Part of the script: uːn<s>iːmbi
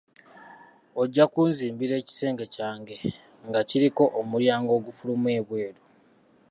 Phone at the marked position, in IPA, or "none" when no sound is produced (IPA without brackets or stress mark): z